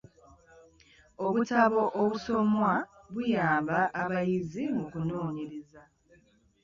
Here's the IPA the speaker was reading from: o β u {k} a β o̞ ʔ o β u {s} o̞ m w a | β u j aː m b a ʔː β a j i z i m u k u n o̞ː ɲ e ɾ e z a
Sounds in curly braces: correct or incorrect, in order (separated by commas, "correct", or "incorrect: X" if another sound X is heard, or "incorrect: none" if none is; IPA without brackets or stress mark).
incorrect: t, correct